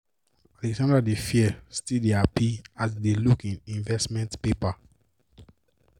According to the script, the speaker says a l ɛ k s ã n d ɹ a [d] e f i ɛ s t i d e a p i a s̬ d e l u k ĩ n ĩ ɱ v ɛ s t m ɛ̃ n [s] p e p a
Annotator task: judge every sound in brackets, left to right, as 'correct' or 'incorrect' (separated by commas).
correct, incorrect